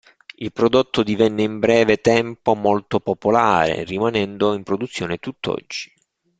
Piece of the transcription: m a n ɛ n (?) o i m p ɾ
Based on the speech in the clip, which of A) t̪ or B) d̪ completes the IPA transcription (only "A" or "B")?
B